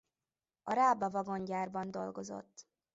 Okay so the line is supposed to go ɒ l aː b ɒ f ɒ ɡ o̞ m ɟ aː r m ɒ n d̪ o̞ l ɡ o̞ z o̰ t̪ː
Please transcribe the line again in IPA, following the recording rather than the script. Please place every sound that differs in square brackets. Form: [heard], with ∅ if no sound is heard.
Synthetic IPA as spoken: ɒ [ɾ] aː b ɒ [v] ɒ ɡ o̞ [ɲ] ɟ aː r [b] ɒ n d̪ o̞ l ɡ o̞ z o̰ t̪ː